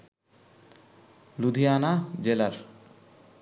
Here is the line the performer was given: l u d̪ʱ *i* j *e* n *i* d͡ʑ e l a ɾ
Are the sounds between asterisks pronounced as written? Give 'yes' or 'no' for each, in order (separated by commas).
yes, no, no